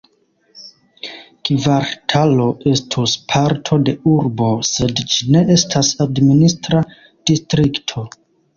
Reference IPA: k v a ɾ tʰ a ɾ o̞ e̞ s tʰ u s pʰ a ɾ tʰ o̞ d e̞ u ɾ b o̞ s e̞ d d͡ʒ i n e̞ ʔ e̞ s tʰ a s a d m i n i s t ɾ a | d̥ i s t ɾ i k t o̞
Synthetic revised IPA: k v a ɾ tʰ a l o̞ e̞ s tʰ u s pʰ a ɾ tʰ o̞ d e̞ u ɾ b o̞ s e̞ d d͡ʒ i n e̞ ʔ e̞ s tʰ a s a d m i n i s t ɾ a | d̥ i s t ɾ i k tʰ o̞